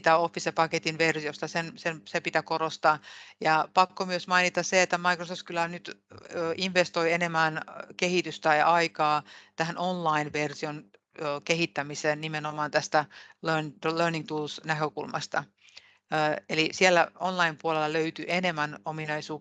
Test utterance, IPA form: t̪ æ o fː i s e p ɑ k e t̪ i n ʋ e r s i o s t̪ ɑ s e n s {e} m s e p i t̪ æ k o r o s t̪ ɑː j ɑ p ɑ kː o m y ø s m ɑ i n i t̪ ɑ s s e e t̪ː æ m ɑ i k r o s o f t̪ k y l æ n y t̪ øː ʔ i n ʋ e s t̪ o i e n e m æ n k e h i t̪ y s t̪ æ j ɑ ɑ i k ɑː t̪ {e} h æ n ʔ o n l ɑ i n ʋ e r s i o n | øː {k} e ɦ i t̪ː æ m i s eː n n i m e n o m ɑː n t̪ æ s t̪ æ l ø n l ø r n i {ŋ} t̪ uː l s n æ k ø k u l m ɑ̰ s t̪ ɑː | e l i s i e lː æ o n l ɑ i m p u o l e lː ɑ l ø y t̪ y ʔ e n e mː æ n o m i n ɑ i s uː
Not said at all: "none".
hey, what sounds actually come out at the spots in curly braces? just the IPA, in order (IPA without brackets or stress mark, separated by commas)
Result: e, æ, k, ŋ